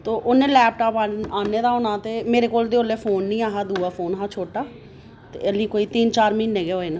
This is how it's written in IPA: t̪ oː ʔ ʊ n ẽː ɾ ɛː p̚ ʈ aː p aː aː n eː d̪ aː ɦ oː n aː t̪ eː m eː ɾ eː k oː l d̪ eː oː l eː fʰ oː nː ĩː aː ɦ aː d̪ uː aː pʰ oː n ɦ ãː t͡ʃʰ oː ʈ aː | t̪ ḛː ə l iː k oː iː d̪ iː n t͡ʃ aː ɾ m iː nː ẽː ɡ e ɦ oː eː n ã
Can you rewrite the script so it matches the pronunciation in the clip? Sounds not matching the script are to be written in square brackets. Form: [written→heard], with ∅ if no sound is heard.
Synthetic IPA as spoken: t̪ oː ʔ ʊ n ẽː [ɾ→l] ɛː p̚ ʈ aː p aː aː n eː d̪ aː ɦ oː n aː t̪ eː m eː ɾ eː k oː l d̪ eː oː l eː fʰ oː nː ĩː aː ɦ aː d̪ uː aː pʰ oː n ɦ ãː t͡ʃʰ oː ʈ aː | t̪ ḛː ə l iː k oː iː [d̪→t̪] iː n t͡ʃ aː ɾ m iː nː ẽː ɡ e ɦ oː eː n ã